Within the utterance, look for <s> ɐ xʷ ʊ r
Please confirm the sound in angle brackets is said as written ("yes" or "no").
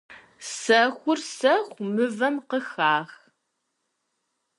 yes